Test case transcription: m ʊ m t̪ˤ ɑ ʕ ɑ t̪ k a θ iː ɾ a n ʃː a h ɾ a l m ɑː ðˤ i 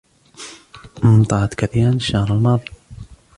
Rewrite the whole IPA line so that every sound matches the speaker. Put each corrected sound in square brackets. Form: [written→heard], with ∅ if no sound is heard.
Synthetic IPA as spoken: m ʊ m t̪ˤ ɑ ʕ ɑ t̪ k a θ iː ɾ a n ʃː a h ɾ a l m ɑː ðˤ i